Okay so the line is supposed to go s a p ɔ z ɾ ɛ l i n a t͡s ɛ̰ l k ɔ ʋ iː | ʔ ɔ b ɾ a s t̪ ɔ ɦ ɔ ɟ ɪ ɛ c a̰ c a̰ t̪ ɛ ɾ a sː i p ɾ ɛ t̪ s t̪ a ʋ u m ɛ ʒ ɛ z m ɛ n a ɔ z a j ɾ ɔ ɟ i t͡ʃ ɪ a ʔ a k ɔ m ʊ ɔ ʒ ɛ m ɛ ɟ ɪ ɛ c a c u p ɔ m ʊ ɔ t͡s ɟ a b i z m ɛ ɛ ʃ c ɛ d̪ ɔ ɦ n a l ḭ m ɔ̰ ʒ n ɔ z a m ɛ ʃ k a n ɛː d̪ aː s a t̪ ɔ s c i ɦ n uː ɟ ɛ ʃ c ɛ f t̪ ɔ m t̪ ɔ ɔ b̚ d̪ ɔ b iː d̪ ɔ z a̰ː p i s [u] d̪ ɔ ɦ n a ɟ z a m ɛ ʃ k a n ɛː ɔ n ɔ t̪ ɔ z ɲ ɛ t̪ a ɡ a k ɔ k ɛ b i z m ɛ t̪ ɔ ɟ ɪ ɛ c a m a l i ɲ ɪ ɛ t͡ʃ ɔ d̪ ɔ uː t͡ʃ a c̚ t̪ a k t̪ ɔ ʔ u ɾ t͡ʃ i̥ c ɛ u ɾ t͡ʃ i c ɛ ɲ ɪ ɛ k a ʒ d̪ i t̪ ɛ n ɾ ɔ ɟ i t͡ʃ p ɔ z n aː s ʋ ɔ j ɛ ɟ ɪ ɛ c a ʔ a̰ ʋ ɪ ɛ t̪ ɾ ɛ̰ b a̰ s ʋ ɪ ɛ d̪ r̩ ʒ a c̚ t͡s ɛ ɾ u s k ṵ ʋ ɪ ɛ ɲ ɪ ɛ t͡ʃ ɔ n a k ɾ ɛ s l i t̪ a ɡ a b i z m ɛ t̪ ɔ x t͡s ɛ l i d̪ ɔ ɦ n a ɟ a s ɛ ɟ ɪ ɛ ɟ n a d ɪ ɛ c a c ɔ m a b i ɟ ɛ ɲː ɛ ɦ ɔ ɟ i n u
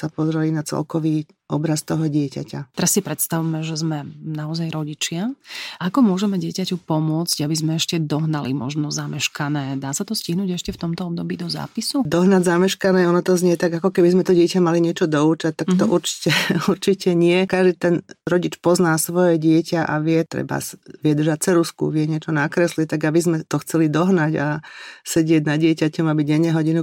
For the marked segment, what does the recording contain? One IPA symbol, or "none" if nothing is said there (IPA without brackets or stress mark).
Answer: u